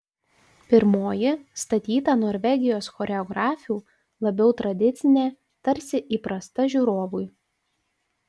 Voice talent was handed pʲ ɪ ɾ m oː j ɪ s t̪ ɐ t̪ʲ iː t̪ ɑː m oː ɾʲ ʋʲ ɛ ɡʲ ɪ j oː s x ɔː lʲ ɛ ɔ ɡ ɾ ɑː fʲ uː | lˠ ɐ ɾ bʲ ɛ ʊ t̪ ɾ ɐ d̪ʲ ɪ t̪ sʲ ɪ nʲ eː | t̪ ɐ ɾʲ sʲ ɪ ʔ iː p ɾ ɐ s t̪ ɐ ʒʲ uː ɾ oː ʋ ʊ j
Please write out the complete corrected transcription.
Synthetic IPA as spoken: pʲ ɪ ɾ m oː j ɪ s t̪ ɐ t̪ʲ iː t̪ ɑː n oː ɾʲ ʋʲ ɛ ɡʲ ɪ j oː s x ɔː ɾʲ ɛ ɔ ɡ ɾ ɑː fʲ uː | lˠ ɐ bʲ ɛ ʊ t̪ ɾ ɐ d̪ʲ ɪ t̪ sʲ ɪ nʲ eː | t̪ ɐ ɾʲ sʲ ɪ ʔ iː p ɾ ɐ s t̪ ɐ ʒʲ uː ɾ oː ʋ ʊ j